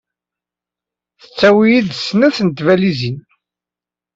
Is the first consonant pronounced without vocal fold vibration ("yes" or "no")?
yes